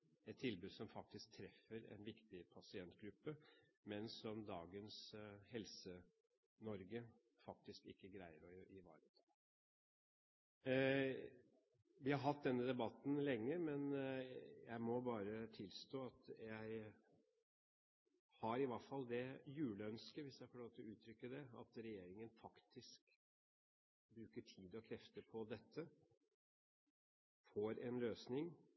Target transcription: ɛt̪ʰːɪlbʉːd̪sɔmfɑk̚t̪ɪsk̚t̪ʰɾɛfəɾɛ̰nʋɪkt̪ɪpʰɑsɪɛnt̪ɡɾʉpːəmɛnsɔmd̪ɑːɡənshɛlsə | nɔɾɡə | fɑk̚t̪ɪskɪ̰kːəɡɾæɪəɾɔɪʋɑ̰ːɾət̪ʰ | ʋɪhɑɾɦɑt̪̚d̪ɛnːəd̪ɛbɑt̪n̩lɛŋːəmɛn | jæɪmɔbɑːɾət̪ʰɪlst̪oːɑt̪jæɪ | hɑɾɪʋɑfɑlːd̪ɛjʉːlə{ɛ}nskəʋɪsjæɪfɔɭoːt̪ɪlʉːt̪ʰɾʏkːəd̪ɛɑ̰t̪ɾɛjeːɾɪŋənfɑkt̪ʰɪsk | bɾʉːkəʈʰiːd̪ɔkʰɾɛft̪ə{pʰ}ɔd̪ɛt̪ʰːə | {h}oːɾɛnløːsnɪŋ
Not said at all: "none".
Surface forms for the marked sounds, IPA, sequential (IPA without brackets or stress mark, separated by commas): œ, pʰ, f